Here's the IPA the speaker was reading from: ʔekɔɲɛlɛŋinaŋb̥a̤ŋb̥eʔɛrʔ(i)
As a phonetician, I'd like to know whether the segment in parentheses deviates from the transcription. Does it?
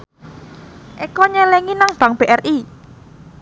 no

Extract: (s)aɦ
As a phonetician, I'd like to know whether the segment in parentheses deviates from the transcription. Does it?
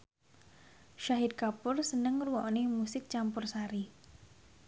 yes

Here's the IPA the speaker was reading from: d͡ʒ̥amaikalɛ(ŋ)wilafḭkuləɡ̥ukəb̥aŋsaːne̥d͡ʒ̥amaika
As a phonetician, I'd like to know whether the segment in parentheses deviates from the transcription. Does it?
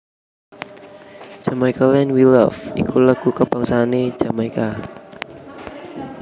yes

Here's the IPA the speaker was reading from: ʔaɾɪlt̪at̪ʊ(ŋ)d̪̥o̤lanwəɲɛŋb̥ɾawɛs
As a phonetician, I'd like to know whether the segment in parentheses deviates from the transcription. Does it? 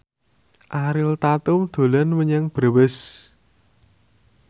yes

